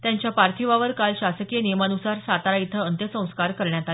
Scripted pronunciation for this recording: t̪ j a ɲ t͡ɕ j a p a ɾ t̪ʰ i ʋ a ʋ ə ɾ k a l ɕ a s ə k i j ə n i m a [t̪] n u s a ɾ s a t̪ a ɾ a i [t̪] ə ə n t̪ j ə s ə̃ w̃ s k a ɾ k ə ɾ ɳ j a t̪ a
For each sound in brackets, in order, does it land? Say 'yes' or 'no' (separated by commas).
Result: no, no